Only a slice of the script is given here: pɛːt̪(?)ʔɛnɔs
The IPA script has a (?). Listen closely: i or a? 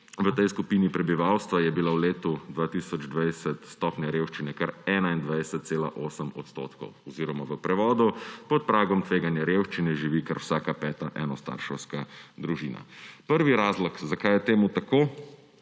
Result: a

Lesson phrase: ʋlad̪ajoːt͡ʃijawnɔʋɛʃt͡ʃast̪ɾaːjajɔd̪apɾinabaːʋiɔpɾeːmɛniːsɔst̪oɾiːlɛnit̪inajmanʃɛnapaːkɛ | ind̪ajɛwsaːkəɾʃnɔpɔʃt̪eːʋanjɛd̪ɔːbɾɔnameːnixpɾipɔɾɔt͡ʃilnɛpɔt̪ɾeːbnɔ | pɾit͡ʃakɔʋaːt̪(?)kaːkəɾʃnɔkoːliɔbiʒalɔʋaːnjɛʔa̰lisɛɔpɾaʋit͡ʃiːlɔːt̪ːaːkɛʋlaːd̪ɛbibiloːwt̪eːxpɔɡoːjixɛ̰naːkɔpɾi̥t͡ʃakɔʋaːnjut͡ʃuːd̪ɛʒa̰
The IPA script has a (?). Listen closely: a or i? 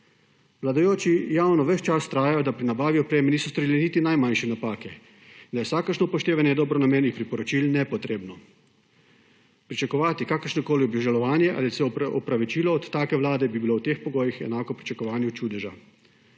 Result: i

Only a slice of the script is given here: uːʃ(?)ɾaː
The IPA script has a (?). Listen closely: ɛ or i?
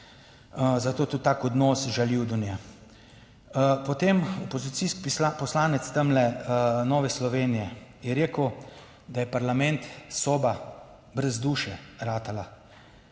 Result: ɛ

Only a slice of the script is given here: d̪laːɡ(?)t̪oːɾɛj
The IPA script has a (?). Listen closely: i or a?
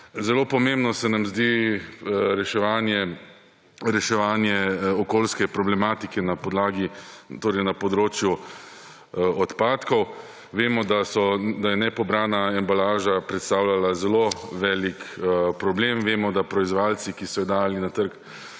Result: i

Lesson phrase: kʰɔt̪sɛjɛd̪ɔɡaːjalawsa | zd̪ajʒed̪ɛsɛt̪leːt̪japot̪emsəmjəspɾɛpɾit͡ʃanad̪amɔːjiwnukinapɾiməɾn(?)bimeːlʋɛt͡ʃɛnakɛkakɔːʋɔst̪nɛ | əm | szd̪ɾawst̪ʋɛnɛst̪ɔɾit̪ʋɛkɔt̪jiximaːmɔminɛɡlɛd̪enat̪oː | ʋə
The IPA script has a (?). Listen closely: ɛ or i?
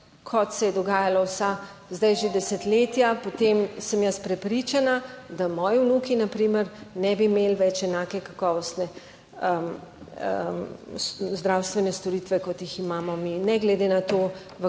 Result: ɛ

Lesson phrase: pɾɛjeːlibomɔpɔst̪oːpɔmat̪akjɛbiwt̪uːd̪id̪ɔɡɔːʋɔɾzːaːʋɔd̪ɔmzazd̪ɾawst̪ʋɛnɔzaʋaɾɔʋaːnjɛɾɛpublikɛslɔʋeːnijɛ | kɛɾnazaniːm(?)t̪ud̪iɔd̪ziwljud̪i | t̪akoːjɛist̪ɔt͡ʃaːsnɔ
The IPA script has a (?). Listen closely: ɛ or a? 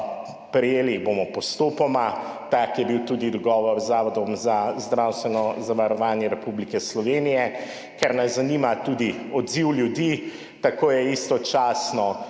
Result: a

